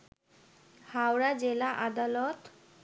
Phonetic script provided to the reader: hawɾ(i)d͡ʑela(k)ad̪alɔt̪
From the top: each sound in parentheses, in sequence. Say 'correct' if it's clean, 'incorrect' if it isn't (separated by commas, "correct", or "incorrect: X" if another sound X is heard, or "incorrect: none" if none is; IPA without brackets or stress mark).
incorrect: a, incorrect: ʔ